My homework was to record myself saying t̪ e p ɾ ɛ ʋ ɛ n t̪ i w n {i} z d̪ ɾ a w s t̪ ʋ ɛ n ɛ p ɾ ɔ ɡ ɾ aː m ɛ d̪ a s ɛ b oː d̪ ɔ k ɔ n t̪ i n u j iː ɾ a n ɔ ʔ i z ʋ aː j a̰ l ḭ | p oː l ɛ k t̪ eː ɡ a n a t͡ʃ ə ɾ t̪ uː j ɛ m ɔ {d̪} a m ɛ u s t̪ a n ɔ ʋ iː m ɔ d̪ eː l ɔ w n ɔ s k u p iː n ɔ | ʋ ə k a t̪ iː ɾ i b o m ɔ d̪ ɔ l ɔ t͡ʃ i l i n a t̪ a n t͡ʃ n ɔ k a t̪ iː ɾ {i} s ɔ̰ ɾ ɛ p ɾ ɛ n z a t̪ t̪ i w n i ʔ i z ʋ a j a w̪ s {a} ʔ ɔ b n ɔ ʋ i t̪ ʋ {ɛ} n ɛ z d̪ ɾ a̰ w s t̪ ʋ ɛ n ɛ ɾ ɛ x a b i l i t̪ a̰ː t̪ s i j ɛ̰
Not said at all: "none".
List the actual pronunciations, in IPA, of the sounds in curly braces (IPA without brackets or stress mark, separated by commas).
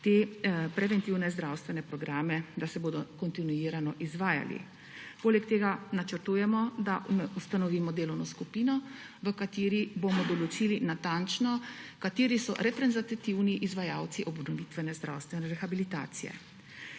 ɛ, d̪, i, i, ɛ